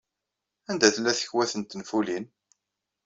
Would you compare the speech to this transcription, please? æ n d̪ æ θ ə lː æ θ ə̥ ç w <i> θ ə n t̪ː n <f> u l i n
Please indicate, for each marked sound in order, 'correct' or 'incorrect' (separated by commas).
incorrect, correct